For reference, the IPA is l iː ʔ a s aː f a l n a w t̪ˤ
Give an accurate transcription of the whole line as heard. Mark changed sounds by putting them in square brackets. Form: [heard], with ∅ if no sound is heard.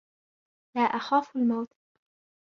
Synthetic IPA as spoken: l [aː] ʔ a [x] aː f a l [m] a w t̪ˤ